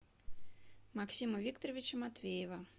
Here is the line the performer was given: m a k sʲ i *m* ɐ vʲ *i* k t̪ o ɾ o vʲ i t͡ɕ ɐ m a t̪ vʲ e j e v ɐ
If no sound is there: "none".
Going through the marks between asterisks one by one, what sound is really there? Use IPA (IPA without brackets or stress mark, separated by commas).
m, i